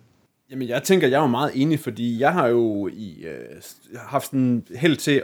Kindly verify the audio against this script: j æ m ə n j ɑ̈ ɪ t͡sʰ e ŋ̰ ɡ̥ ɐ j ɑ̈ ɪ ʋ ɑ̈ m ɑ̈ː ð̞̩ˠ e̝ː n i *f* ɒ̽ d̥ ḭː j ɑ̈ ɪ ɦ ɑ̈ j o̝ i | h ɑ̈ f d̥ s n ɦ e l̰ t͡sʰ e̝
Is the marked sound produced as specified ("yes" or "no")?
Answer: yes